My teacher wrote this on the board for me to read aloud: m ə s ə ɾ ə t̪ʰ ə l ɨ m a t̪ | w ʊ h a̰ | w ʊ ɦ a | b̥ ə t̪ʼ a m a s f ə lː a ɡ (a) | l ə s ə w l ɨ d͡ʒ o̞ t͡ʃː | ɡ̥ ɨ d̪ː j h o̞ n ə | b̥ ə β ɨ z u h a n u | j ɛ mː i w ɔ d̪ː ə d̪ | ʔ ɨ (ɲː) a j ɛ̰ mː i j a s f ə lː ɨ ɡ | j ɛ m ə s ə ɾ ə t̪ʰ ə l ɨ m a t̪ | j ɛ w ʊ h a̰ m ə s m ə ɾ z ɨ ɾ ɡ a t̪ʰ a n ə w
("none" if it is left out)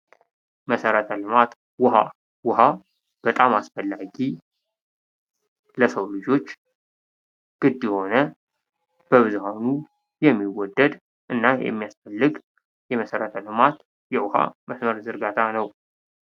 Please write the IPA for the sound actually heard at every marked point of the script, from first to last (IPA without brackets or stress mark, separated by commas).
i, nː